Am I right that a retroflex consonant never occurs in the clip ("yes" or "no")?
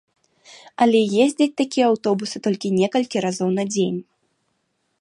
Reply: yes